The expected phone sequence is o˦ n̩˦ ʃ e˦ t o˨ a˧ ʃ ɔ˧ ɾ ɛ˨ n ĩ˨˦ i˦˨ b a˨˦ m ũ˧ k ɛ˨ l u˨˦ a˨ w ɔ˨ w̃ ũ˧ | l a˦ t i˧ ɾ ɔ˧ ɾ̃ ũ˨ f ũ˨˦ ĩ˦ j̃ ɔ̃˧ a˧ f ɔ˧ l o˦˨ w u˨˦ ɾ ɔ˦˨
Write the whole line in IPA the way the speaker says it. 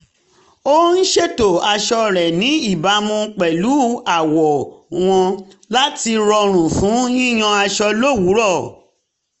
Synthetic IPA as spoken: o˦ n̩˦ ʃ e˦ t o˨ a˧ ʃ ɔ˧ ɾ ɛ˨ n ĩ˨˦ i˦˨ b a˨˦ m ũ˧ k͡p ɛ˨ l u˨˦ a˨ w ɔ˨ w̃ ɔ̃˧ | l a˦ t i˧ ɾ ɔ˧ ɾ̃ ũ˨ f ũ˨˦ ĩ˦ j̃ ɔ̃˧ a˧ ʃ ɔ˧ l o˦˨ w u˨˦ ɾ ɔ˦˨